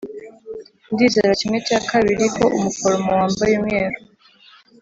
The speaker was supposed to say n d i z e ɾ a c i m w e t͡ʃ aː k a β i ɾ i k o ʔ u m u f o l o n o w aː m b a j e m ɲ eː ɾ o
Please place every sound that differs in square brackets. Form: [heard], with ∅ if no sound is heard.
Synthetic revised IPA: n d i z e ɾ a c i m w e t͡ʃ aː k a β i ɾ i k o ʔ u m u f o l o [m] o w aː m b a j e m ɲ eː ɾ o